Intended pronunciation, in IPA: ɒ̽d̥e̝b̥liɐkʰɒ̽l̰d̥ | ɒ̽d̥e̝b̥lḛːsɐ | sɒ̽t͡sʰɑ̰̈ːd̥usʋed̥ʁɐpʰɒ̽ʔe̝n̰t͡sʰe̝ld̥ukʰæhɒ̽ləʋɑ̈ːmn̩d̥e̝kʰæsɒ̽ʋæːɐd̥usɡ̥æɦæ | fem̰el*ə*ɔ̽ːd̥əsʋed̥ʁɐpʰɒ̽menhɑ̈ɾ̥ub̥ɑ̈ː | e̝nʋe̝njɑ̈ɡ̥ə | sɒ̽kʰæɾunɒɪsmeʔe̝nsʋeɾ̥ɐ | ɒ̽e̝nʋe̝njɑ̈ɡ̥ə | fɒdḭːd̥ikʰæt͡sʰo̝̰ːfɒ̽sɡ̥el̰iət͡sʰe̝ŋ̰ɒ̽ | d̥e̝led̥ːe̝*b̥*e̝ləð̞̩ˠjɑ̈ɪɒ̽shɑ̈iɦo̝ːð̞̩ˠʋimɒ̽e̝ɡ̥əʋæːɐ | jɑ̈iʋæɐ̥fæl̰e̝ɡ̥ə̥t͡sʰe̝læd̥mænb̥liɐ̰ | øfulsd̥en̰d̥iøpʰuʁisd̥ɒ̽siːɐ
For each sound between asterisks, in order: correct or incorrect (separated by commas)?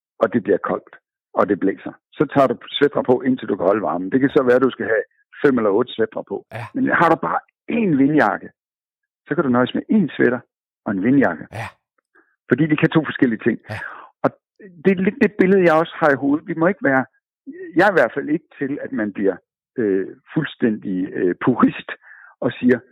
incorrect, correct